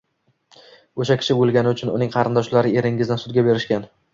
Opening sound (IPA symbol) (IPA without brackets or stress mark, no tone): o